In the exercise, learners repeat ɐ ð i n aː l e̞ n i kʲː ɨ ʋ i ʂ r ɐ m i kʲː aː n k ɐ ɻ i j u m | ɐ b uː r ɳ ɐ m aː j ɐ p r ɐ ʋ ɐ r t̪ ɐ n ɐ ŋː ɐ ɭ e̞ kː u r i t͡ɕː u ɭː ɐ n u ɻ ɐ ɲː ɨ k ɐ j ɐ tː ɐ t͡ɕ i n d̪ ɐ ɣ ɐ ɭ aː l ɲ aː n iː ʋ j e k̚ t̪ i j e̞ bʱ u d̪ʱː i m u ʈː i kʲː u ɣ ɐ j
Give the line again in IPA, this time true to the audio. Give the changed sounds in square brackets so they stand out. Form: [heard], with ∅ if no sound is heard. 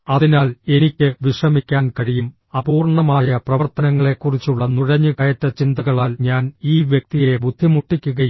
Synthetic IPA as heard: ɐ ð i n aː l e̞ n i kʲː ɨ ʋ i ʂ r ɐ m i kʲː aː n k ɐ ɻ i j u m | ɐ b uː r ɳ ɐ m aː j ɐ p r ɐ ʋ ɐ r t̪ ɐ n ɐ ŋː ɐ ɭ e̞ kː u r i t͡ɕː u ɭː ɐ n u ɻ ɐ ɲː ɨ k ɐ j ɐ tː ɐ t͡ɕ i n d̪ ɐ ɣ ɐ ɭ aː l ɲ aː n iː ʋ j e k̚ t̪ i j e̞ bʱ u d̪ʱː i m u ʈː i kʲː u ɣ ɐ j